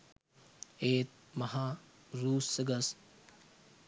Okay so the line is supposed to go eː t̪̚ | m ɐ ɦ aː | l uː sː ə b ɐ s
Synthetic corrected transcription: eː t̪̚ | m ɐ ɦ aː | ɾ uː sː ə ɡ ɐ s